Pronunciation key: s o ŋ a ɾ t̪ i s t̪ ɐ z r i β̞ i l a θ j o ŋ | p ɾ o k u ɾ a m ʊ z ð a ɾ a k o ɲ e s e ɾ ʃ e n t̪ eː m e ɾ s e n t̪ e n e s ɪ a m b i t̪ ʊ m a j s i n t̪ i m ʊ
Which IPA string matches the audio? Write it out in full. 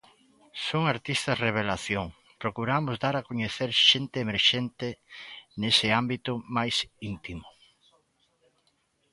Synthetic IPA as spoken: s o ŋ a ɾ t̪ i s t̪ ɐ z r e β̞ e l a θ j o ŋ | p ɾ o k u ɾ a m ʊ z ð a ɾ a k o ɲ e θ e ɾ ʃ e n t̪ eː m e ɾ ʃ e n t̪ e n e s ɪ a m b i t̪ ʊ m a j s i n t̪ i m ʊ